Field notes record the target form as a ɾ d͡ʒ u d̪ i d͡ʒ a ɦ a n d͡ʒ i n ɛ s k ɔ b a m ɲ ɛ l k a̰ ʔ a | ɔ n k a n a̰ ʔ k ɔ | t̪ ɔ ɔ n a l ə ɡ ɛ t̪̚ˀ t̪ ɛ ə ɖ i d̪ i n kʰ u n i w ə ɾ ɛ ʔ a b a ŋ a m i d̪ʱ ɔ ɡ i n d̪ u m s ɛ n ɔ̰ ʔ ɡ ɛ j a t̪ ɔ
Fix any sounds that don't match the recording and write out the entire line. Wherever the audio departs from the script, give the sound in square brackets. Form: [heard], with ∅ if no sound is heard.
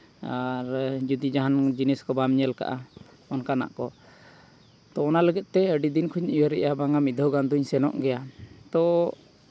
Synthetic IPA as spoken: a ɾ d͡ʒ u d̪ i d͡ʒ a ɦ a n d͡ʒ i n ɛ s k ɔ b a m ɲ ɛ l k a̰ ʔ a | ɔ n k a n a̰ ʔ k ɔ | t̪ ɔ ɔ n a l ə ɡ ɛ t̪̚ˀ t̪ ɛ ə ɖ i d̪ i n kʰ u [ɲ] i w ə ɾ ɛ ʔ a b a ŋ a m i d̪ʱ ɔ ɡ [a] n d̪ u [ɲ] s ɛ n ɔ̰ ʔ ɡ ɛ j a t̪ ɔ